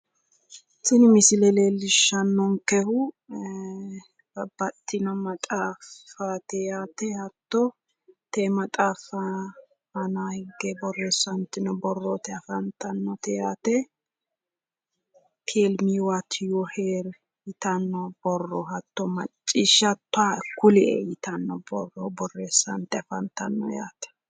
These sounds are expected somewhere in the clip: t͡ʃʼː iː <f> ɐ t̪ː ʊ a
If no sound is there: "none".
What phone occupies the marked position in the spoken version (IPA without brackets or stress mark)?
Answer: ʃ